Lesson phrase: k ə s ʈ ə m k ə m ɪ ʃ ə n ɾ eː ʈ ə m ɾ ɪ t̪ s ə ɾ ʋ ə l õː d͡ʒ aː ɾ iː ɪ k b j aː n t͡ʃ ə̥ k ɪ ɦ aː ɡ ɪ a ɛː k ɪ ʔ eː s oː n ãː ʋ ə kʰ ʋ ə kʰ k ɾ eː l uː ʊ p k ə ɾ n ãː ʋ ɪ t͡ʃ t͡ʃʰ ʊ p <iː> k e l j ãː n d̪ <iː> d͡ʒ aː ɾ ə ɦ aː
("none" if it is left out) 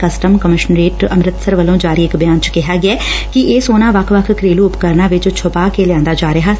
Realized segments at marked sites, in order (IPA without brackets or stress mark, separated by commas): aː, aː